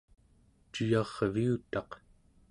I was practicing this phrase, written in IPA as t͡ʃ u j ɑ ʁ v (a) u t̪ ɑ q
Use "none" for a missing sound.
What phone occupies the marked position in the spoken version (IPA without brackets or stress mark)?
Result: i